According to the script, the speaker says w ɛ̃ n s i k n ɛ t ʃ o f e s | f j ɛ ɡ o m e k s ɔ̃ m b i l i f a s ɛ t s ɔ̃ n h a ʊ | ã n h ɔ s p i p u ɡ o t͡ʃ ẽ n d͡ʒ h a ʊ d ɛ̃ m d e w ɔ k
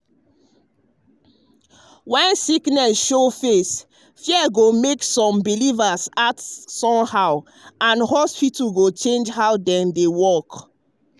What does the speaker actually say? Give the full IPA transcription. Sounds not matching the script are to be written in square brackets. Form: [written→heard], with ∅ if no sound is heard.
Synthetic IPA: w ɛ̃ n s i k n ɛ [t→s] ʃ o f e s | f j ɛ ɡ o m e k s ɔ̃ m b i l i [f→v] a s [ɛ→a] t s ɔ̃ [n→m] h a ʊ | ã n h ɔ s p i [p→t] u ɡ o t͡ʃ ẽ n d͡ʒ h a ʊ d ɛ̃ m d e w ɔ k

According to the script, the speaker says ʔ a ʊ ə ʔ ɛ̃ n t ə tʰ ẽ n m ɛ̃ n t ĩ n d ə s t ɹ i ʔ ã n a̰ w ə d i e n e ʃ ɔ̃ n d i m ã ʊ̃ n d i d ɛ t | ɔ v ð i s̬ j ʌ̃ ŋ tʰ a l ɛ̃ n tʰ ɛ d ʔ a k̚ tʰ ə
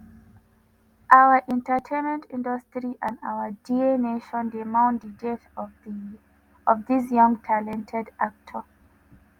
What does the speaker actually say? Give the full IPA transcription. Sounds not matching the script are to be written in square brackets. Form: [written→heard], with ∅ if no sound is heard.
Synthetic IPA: ʔ a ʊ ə ʔ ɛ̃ n t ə tʰ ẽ n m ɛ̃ n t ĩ n d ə s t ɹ i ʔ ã n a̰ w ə d i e n e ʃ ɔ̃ n d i m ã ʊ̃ n d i d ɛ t | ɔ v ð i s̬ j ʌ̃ ŋ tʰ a l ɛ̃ n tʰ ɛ d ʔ a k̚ tʰ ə

